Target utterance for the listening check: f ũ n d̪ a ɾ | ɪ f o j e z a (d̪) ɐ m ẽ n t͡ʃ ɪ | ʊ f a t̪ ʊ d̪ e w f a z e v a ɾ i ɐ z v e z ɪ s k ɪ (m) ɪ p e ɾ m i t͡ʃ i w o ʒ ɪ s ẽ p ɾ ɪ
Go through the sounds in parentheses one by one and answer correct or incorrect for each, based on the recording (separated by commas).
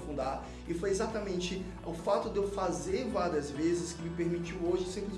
incorrect, correct